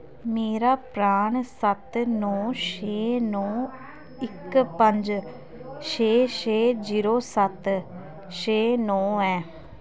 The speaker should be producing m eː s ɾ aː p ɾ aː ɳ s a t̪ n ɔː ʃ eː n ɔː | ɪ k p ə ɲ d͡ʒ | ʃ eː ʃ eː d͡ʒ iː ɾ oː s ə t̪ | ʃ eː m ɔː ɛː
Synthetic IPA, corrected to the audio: m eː ɾ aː p ɾ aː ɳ s ə t̪ n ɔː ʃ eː n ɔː | ɪ k p ə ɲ d͡ʒ | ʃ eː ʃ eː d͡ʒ iː ɾ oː s ə t̪ | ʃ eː n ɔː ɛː